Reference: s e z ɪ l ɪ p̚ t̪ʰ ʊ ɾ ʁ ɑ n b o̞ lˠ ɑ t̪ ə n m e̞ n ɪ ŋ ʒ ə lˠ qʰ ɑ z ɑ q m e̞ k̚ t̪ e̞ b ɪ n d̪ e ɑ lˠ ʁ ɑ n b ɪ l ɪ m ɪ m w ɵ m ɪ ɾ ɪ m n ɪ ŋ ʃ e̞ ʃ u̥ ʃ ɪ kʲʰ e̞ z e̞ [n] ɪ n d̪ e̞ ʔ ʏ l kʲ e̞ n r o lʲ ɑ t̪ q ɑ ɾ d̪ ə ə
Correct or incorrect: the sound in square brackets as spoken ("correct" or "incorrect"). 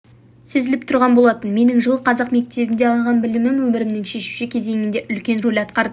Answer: incorrect